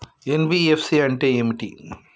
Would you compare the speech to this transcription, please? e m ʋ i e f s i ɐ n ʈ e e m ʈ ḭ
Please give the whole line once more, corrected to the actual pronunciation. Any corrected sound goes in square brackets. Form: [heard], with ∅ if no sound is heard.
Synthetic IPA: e [n] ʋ i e f s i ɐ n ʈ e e m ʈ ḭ